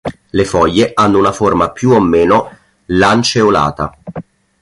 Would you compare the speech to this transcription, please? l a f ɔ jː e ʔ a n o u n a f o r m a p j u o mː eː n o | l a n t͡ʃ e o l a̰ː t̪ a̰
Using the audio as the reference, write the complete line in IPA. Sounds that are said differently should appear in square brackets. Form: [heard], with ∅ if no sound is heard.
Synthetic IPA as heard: l [e] f ɔ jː e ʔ a [nː] o u n a f o r m a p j u o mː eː n o | l a n t͡ʃ e o l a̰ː t̪ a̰